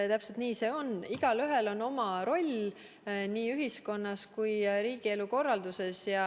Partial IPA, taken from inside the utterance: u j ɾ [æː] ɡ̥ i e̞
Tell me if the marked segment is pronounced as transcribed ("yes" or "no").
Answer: no